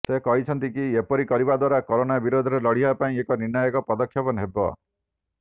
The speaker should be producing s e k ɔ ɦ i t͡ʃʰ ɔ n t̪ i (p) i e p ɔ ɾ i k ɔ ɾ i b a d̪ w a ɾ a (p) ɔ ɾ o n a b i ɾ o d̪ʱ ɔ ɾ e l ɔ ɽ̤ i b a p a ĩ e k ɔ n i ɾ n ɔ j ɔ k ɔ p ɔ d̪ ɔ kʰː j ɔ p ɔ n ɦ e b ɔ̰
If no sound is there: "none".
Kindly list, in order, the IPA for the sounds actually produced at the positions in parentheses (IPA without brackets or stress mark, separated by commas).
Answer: k, k